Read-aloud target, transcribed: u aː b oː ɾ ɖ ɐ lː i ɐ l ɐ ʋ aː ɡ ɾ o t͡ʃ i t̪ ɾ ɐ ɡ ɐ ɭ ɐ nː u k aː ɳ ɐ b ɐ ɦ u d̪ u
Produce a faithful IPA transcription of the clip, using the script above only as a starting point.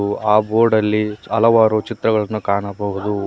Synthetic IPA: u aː b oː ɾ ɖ ɐ lː i ɐ l ɐ ʋ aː ɾ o t͡ʃ i t̪ ɾ ɐ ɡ ɐ ɭ ɐ nː u k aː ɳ ɐ b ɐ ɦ u d̪ u